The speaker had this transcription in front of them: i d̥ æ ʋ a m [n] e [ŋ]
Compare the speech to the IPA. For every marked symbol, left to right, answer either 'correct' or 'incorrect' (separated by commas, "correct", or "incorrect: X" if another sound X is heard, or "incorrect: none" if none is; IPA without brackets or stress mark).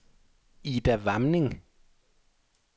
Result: correct, correct